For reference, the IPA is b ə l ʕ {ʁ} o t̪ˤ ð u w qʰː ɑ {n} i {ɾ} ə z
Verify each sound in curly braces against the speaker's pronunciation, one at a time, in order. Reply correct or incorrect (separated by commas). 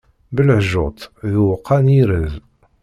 incorrect, correct, correct